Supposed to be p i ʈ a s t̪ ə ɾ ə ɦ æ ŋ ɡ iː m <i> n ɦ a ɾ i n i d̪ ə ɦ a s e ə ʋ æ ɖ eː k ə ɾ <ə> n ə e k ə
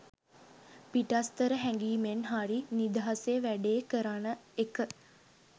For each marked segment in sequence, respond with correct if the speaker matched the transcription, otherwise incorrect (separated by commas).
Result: incorrect, incorrect